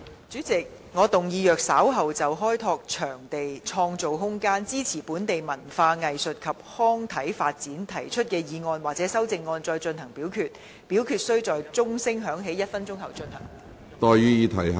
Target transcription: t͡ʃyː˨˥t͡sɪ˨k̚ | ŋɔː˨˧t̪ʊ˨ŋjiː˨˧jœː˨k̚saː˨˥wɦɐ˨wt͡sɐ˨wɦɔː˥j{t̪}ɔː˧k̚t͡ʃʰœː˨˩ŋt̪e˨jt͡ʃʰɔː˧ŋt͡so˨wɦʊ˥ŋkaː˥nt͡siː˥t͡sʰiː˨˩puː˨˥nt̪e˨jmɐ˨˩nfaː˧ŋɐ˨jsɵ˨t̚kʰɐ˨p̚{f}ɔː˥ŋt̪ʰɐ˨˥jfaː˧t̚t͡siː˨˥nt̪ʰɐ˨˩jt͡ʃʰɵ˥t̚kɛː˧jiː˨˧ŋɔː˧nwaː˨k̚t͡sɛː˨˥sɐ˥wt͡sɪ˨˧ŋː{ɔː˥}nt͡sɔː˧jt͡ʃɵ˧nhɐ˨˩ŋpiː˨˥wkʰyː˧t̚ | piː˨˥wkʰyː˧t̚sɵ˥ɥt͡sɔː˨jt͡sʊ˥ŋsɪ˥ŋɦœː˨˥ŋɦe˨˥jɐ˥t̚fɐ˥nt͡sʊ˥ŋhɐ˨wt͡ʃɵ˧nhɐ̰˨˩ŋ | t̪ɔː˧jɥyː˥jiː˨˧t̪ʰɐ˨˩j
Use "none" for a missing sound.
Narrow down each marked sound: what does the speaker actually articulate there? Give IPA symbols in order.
t̪ʰ, h, ɔː˧

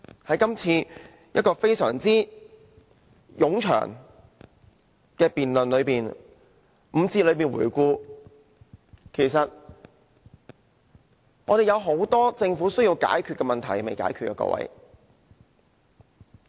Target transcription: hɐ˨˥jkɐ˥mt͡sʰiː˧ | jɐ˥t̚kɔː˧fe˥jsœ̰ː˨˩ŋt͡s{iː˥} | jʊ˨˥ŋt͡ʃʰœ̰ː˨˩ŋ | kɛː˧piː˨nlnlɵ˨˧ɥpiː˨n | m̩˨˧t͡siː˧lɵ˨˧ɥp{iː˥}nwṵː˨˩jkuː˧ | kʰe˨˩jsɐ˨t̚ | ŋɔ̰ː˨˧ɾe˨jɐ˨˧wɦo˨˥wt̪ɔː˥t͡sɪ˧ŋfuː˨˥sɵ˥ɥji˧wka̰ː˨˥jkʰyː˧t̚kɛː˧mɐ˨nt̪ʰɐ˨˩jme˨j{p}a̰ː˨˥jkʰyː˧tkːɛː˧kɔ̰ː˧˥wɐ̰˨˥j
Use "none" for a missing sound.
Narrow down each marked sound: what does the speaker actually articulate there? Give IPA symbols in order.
iː˥, iː˨˩, k

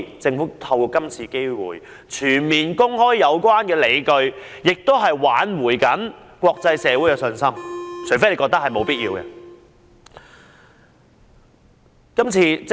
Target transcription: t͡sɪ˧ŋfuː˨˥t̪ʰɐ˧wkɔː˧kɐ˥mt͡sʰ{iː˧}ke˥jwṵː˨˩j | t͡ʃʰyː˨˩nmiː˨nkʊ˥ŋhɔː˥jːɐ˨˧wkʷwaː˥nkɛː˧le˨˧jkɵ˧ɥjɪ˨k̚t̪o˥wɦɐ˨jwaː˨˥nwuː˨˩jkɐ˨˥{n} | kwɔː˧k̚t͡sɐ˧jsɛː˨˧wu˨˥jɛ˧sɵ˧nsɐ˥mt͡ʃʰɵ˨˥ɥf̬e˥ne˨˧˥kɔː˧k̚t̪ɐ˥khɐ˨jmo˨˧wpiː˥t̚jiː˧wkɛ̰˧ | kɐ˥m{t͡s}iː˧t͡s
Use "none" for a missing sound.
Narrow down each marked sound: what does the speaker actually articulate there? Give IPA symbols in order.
iː˧, n, t͡sʰ

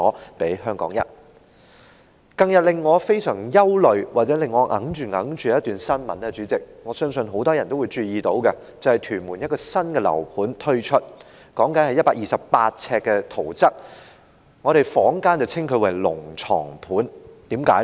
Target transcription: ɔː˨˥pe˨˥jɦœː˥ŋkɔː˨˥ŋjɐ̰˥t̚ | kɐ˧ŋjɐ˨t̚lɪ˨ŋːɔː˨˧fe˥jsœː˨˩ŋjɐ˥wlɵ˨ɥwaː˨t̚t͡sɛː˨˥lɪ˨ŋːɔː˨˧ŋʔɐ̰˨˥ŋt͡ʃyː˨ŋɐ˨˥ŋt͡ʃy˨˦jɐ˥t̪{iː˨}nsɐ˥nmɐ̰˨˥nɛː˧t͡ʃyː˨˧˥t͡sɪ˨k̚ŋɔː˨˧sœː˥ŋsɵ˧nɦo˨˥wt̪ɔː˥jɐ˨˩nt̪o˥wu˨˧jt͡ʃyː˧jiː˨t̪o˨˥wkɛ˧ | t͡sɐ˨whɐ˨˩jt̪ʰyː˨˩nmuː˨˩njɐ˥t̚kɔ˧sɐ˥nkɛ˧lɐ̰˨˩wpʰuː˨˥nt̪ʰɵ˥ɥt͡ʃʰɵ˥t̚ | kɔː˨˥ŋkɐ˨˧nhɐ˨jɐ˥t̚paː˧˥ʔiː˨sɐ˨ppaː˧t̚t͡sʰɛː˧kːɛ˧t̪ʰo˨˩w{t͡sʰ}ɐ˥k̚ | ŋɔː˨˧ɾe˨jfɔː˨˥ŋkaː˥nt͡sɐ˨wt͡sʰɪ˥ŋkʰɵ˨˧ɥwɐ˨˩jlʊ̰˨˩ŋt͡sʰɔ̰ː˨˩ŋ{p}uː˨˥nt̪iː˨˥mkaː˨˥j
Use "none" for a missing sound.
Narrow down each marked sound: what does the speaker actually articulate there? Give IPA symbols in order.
yː˨, t͡s, pʰ

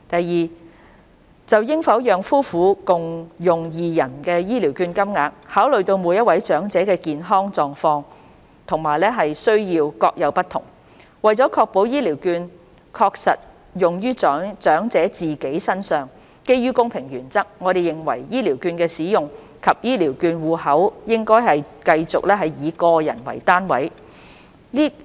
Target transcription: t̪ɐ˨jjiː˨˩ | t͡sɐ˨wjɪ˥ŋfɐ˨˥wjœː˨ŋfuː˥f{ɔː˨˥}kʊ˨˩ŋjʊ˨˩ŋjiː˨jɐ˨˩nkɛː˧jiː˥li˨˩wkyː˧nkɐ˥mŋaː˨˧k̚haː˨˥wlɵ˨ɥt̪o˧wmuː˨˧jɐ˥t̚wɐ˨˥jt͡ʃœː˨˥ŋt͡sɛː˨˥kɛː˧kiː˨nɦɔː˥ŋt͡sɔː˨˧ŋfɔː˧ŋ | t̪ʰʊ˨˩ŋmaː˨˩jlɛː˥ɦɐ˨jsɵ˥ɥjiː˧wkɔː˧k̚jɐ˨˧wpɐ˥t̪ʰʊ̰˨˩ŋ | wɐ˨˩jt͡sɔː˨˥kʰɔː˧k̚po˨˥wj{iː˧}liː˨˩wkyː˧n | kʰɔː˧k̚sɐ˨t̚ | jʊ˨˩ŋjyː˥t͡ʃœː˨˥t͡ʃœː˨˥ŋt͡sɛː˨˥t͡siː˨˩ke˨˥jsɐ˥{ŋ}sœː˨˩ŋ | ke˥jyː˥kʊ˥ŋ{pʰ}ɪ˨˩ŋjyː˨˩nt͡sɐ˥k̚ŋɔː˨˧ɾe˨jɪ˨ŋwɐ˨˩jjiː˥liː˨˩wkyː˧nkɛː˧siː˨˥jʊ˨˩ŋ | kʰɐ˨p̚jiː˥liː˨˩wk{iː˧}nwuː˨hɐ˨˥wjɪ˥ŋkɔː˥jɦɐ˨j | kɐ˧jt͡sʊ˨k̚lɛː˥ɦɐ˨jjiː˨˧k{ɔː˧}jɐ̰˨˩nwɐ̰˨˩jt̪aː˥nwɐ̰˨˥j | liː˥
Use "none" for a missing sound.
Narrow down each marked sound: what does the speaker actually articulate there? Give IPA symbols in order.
uː˨˥, iː˥, n, pʰ, yː˧, ɔː˧

